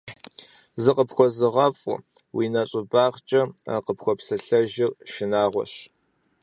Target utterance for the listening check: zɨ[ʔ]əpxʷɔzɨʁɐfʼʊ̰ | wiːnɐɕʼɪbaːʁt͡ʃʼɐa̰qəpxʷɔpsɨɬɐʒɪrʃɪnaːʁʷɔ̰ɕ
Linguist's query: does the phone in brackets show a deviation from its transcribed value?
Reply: yes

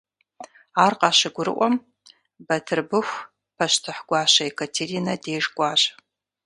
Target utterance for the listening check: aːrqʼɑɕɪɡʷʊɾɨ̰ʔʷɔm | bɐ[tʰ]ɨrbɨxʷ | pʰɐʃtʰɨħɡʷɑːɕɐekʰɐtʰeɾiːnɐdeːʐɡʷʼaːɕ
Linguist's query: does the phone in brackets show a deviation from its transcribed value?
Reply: no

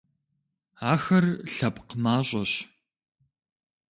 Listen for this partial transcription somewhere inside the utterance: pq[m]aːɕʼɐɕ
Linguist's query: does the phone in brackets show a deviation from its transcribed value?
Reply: no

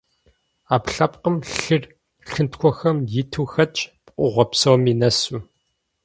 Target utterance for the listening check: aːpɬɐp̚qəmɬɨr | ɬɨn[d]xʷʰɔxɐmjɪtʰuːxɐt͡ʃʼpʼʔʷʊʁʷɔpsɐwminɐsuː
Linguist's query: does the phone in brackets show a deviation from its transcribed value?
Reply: yes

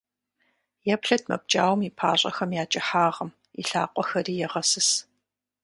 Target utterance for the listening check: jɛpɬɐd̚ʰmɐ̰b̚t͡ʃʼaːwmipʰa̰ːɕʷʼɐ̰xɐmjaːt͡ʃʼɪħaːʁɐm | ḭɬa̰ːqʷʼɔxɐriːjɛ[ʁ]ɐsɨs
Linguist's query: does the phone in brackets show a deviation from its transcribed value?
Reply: no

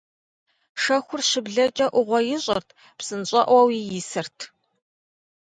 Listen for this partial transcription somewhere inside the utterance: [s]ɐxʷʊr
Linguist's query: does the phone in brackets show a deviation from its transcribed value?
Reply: yes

